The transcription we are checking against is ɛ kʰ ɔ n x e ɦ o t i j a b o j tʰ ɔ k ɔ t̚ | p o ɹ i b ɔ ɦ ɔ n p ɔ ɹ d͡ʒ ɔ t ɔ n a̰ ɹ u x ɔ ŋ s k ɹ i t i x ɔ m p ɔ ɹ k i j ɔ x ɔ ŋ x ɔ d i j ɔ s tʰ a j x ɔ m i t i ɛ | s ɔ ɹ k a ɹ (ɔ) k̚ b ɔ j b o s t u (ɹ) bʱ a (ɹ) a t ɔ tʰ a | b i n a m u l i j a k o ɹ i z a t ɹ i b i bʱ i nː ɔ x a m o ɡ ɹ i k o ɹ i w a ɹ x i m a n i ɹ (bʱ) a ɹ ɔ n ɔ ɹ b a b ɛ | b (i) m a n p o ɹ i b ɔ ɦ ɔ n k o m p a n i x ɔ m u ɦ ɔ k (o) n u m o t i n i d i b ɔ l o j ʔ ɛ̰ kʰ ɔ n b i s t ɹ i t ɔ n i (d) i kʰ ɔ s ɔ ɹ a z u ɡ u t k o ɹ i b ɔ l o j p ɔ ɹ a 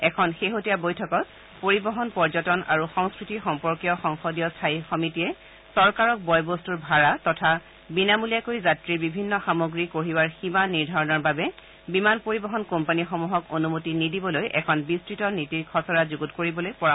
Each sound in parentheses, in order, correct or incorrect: correct, correct, correct, incorrect, correct, correct, incorrect

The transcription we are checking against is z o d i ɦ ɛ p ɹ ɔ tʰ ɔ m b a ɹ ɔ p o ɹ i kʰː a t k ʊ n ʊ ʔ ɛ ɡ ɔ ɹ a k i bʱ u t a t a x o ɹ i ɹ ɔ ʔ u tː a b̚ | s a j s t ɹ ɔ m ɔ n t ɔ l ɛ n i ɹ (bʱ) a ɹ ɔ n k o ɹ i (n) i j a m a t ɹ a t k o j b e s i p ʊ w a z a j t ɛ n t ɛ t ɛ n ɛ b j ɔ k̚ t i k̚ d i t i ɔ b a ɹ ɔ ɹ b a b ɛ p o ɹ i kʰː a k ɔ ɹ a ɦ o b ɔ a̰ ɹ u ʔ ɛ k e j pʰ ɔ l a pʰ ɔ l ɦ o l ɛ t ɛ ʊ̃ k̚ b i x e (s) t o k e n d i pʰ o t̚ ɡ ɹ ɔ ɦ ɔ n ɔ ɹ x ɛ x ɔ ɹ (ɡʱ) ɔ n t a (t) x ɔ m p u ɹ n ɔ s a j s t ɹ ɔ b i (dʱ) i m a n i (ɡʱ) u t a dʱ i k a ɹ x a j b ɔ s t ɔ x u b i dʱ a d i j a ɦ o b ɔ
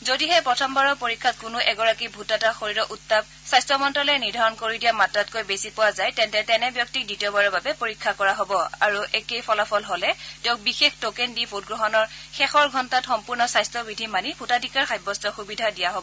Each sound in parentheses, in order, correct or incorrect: incorrect, incorrect, incorrect, correct, correct, correct, incorrect

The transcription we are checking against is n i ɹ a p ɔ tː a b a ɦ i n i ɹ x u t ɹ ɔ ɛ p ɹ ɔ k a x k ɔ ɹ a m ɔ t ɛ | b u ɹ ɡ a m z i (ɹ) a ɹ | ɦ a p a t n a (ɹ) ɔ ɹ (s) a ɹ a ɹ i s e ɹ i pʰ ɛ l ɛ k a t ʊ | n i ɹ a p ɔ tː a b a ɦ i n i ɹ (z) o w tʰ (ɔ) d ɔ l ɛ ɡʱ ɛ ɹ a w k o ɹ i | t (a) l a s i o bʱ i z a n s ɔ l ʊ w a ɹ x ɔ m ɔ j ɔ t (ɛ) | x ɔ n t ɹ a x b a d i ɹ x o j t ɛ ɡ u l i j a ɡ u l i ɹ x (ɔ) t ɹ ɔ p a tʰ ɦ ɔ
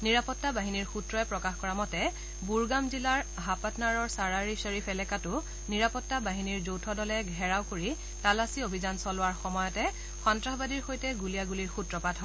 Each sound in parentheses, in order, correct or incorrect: incorrect, correct, correct, correct, correct, correct, correct, incorrect

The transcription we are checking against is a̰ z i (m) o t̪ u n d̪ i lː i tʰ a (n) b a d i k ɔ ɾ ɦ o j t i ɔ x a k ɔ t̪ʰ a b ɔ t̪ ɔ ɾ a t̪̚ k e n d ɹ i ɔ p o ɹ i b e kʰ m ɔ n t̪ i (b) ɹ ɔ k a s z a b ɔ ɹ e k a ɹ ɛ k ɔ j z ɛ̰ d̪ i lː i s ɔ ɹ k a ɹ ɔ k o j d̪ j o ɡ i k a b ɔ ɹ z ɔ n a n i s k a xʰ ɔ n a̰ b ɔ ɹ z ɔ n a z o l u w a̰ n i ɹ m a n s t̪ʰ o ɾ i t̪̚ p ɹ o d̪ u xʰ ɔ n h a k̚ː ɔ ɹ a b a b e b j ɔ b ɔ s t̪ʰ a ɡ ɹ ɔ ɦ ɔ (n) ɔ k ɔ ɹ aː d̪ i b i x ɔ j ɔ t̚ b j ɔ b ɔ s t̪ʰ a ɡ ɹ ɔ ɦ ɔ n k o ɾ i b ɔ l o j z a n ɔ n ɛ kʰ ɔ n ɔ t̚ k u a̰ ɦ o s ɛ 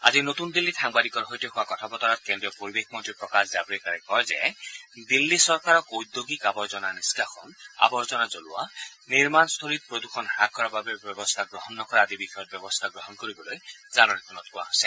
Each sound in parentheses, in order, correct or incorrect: incorrect, incorrect, incorrect, incorrect

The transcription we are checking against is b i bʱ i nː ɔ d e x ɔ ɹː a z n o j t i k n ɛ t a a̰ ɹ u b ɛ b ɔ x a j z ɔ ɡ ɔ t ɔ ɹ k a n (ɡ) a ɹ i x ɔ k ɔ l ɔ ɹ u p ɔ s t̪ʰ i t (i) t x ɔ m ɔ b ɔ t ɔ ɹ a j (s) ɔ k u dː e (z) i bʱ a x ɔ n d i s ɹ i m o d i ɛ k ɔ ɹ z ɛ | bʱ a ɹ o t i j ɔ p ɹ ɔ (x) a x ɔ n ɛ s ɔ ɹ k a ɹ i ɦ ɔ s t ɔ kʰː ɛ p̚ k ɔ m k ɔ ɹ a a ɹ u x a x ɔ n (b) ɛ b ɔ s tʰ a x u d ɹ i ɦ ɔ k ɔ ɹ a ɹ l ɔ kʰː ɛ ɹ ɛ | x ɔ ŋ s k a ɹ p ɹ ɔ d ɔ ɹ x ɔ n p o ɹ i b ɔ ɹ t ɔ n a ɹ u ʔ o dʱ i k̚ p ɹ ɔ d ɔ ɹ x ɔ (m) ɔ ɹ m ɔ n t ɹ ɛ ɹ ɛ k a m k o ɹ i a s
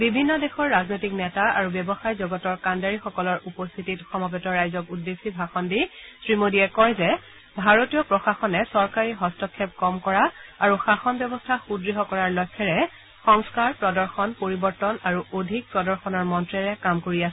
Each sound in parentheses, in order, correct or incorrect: incorrect, correct, incorrect, incorrect, correct, correct, incorrect

